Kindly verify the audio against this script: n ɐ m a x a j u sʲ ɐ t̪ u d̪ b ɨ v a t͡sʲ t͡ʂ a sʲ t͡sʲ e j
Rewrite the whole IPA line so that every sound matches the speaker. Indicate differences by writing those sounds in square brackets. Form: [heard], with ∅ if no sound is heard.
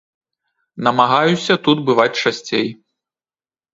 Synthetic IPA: n ɐ m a [ɣ] a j u sʲ ɐ t̪ u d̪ b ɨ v a t͡sʲ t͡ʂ a sʲ t͡sʲ e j